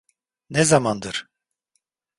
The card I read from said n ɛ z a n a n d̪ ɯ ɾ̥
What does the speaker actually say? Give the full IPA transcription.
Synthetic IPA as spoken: n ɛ z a m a n d̪ ɯ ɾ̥